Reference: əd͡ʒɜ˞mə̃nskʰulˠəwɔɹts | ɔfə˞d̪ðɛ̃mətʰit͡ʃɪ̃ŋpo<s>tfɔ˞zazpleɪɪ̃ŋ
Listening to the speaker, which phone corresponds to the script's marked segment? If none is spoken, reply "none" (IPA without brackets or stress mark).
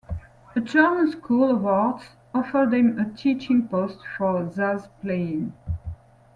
s